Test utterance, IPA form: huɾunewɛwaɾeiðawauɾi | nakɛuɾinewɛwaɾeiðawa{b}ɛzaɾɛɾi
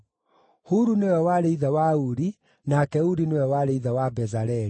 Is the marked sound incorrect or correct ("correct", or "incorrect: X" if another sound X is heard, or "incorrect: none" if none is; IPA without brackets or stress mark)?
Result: correct